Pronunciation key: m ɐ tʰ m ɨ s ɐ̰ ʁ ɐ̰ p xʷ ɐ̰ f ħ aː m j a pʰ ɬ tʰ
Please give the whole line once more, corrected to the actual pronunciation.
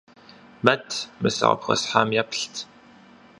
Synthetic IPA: m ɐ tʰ m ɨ s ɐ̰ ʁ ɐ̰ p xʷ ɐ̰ s ħ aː m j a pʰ ɬ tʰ